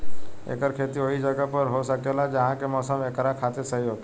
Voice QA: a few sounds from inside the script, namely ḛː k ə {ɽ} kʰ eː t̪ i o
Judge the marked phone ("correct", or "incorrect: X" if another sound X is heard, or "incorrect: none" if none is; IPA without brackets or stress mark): incorrect: ɾ